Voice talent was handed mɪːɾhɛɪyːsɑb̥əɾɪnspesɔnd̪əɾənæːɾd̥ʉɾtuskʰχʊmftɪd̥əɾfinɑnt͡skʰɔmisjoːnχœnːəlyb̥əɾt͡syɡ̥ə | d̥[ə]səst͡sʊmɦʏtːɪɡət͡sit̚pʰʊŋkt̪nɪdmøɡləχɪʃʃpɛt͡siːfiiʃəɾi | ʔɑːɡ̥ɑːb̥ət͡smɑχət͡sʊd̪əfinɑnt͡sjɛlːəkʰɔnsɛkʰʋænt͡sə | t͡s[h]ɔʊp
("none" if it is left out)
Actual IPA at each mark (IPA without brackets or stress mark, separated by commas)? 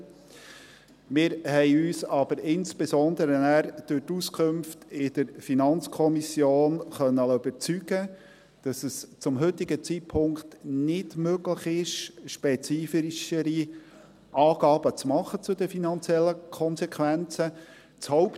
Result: ɑ, h